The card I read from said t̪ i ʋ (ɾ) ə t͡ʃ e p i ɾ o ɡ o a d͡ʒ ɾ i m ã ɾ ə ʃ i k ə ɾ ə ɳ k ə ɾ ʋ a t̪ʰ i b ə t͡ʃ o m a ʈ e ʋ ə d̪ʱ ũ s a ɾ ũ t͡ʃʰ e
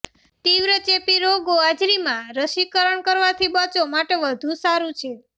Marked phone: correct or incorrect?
correct